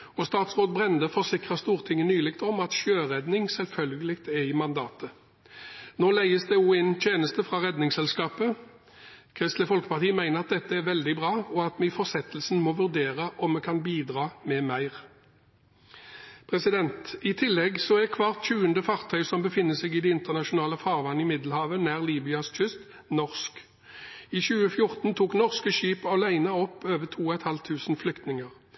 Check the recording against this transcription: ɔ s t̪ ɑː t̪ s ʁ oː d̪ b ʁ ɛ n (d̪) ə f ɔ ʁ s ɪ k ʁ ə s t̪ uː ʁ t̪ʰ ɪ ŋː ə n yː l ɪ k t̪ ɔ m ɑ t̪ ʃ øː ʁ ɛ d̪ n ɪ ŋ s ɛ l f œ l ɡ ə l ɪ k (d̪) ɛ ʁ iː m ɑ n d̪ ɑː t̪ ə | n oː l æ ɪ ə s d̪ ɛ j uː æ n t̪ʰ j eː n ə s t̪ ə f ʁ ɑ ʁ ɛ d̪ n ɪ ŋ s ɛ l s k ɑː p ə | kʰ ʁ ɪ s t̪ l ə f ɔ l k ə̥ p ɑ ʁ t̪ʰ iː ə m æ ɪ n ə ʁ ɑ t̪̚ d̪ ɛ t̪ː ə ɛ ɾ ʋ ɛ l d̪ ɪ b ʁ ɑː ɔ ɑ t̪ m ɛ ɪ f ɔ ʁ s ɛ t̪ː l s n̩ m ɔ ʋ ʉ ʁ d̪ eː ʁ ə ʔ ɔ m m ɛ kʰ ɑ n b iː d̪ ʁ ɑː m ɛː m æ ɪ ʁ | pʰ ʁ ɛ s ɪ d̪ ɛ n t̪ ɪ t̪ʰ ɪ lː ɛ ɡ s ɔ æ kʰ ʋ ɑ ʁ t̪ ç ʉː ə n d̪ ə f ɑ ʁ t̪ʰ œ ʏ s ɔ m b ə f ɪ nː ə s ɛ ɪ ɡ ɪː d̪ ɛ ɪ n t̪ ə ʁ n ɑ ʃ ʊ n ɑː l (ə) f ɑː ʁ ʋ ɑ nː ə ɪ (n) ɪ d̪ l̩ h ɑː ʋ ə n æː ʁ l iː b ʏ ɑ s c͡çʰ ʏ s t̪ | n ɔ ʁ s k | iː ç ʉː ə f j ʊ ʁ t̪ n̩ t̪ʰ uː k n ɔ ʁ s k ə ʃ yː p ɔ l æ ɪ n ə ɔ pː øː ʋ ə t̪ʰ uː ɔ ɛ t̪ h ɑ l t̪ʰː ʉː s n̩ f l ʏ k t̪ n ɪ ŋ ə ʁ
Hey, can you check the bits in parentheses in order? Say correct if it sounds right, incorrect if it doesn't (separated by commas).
correct, incorrect, correct, incorrect